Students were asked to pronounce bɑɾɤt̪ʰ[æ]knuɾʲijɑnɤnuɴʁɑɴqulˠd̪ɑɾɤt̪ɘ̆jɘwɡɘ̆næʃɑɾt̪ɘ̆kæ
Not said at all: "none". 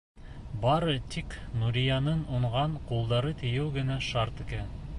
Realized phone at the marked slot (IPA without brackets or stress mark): i